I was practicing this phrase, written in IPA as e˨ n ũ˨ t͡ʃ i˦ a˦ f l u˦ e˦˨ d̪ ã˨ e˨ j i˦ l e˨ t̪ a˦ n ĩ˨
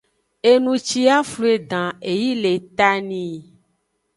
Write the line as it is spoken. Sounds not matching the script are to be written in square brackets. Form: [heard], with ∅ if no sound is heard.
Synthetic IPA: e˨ n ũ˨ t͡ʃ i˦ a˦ f l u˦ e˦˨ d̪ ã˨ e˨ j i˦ l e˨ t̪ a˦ n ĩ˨